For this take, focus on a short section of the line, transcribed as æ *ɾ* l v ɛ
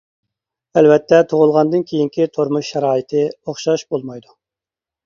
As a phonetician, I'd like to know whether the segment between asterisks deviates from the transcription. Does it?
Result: yes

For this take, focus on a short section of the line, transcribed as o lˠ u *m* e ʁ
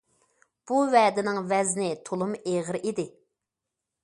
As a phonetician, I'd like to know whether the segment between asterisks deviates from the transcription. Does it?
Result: no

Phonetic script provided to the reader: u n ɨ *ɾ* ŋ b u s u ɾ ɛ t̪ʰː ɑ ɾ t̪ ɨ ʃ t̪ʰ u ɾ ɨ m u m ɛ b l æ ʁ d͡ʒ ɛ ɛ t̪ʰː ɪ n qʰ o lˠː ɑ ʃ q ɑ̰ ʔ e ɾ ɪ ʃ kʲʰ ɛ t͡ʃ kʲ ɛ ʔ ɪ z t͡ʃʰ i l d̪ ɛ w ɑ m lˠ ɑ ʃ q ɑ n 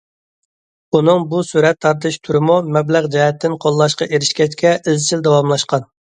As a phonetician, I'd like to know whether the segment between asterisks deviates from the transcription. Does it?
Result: yes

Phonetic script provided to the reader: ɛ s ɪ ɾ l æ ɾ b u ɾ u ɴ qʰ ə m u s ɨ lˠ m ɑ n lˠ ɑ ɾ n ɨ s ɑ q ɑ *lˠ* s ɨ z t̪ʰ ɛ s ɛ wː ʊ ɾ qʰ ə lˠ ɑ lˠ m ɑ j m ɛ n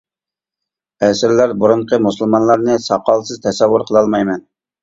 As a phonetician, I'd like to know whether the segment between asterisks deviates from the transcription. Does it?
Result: no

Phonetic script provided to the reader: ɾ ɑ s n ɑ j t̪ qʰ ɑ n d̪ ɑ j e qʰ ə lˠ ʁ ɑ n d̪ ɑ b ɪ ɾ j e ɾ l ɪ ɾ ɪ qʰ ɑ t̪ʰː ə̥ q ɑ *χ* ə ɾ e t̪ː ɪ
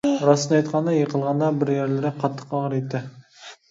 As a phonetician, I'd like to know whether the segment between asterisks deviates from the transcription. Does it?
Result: yes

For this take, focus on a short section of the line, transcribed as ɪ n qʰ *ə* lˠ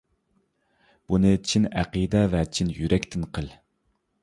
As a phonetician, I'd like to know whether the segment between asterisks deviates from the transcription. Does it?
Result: no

